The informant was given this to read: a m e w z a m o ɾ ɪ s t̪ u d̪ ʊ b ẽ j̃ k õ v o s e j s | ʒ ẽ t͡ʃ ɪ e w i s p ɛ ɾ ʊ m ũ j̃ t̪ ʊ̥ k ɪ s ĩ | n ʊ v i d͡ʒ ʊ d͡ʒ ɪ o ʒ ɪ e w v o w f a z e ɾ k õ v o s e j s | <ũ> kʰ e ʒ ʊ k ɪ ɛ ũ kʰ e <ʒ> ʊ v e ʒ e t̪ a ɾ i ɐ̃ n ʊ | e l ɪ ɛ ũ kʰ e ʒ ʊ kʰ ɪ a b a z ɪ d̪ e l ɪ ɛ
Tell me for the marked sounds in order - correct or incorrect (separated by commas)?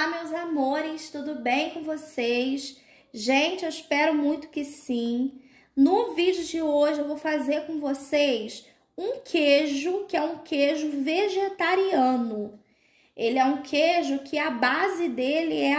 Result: correct, correct